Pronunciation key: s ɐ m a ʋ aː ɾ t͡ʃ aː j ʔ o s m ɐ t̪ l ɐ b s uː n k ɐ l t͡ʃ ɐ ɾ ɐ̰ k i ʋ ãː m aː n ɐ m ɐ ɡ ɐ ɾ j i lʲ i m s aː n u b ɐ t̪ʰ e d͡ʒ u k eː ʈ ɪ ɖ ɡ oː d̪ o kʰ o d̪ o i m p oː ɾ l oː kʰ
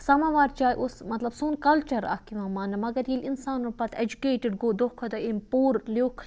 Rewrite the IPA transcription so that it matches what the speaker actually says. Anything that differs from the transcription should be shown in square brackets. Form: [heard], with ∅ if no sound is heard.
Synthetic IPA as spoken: s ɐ m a ʋ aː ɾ t͡ʃ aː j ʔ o s m ɐ t̪ l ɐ b s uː n k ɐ l t͡ʃ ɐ ɾ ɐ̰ k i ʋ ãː m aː n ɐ m ɐ ɡ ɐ ɾ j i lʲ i [n] s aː n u [p] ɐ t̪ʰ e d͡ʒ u k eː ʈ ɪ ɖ ɡ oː d̪ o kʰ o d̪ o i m p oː ɾ l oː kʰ